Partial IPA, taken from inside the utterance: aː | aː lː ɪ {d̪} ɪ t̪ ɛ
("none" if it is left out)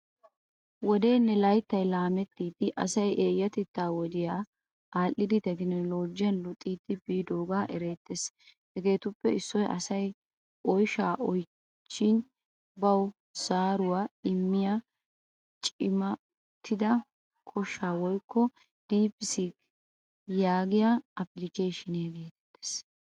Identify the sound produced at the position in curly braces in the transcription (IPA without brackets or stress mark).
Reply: d̪